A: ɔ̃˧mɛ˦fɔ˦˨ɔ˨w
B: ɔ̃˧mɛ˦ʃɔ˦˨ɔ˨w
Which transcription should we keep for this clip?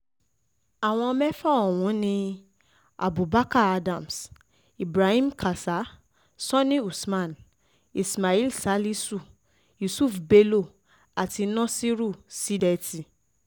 A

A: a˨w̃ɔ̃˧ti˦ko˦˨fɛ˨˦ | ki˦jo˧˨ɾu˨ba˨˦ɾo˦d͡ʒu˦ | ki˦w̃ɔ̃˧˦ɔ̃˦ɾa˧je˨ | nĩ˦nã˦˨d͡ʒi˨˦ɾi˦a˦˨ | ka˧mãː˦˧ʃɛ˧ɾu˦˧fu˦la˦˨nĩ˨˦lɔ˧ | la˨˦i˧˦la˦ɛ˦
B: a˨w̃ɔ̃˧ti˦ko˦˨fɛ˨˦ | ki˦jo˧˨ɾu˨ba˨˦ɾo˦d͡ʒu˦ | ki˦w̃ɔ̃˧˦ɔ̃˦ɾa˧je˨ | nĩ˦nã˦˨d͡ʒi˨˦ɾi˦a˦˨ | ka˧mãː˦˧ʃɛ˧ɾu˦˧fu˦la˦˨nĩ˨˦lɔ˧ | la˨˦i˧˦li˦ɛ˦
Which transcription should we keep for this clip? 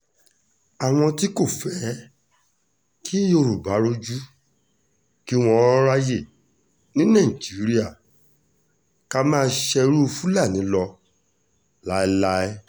A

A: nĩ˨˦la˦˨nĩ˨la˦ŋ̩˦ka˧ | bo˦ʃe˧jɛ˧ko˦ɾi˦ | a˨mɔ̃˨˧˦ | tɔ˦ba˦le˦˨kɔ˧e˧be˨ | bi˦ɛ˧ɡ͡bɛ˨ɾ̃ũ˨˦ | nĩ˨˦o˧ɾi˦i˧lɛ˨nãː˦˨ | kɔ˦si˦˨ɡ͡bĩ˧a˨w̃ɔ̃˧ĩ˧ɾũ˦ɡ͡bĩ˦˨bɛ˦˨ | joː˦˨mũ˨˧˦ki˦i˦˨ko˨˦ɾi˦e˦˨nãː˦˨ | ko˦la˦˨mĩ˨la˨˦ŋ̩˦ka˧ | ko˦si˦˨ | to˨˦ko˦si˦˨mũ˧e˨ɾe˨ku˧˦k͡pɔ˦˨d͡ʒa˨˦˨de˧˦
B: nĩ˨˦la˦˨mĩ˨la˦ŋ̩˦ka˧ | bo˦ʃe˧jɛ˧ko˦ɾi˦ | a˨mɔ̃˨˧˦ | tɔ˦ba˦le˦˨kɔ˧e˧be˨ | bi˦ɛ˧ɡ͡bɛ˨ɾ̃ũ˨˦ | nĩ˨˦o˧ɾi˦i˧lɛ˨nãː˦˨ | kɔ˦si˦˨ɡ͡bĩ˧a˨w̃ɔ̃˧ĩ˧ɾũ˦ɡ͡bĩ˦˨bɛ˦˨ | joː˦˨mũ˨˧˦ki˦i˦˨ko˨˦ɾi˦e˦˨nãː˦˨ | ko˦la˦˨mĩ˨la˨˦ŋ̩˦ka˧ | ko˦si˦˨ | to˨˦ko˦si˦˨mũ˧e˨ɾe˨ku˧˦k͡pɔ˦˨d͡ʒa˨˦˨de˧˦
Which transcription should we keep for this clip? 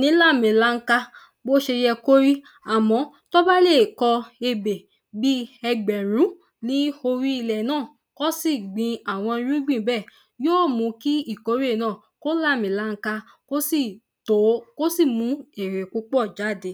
B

